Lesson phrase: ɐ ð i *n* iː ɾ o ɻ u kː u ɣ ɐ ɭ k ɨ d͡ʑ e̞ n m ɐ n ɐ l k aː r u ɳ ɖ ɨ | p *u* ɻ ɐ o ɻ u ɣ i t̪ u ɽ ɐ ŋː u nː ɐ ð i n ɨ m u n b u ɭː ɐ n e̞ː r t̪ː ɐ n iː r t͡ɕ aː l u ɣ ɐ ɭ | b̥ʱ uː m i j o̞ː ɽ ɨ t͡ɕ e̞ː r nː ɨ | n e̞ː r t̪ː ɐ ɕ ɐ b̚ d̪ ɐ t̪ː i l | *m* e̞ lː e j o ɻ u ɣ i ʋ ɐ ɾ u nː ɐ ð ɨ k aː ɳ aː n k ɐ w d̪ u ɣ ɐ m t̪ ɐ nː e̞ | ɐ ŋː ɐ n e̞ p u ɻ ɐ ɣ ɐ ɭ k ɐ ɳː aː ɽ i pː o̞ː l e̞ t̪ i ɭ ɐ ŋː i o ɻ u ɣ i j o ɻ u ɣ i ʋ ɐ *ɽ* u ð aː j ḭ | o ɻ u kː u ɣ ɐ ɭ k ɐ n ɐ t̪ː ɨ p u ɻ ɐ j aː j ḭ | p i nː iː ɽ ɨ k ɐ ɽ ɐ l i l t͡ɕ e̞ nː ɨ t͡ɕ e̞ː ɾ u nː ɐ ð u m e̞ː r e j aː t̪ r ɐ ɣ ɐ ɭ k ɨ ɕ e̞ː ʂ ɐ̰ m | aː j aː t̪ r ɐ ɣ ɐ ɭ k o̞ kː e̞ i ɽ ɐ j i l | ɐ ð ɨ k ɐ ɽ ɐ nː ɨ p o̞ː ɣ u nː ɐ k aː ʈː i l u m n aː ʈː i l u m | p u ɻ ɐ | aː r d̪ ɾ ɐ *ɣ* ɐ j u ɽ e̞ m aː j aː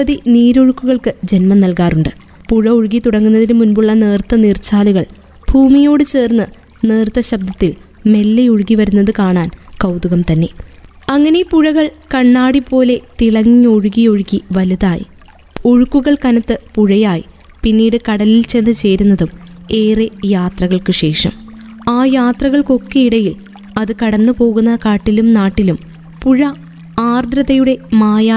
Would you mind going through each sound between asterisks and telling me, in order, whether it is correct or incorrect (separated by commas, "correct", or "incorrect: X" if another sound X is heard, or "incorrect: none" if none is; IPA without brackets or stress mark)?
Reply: correct, correct, correct, incorrect: l, incorrect: ð